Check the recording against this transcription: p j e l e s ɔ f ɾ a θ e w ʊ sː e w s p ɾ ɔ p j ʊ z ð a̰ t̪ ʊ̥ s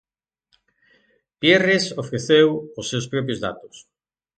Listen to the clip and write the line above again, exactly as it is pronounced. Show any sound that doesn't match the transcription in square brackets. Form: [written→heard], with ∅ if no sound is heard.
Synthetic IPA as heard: p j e [l→r] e s [ɔ→o] f ɾ [a→e] θ e w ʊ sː e w s p ɾ ɔ p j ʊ z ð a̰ t̪ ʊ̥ s